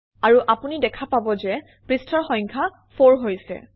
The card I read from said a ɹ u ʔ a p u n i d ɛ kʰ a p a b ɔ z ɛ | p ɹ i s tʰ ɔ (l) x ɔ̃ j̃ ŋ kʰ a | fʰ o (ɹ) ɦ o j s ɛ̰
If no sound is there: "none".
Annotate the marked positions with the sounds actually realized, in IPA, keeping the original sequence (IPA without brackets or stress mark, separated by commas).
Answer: ɹ, ɹ